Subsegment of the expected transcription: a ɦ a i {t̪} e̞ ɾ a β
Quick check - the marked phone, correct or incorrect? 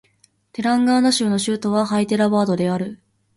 correct